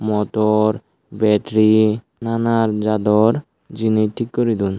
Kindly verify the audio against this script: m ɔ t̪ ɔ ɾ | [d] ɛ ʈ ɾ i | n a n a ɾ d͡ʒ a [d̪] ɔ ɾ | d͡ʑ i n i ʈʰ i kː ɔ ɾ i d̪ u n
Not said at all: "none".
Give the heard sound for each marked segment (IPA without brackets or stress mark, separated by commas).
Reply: b, d̪